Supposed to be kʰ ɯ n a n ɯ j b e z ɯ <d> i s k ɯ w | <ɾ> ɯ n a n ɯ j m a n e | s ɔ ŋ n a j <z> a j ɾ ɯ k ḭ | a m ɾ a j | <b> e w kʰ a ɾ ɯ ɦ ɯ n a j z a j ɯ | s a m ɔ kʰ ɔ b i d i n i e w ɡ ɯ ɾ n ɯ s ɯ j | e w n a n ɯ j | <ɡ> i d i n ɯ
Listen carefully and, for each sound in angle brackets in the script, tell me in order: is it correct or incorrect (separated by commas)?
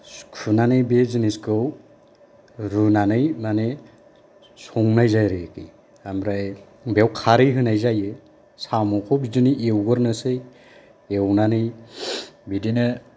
incorrect, correct, correct, correct, incorrect